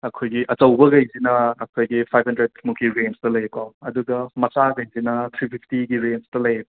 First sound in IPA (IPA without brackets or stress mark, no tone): ɐ